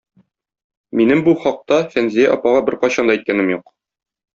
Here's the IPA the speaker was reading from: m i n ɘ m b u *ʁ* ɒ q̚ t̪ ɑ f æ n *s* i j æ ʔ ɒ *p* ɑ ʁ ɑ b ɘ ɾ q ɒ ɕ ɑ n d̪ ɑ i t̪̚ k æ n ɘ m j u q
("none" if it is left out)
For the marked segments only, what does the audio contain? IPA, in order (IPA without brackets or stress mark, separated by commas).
χ, z, p